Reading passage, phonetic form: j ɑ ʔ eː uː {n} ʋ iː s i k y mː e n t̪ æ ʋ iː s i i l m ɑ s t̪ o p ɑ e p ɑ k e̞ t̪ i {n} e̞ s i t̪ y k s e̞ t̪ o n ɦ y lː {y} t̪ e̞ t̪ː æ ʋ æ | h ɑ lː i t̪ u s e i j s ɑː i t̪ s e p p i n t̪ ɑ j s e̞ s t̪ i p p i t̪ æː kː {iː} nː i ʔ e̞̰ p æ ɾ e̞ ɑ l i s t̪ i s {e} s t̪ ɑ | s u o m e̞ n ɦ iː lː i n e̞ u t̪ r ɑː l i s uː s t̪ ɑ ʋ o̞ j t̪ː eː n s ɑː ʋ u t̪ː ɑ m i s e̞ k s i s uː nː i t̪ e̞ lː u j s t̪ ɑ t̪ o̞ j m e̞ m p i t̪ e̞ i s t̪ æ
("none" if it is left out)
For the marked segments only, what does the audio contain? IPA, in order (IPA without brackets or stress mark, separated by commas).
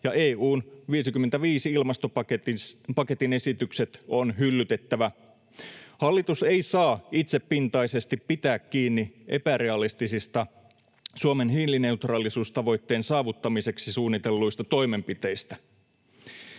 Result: n, n, y, iː, i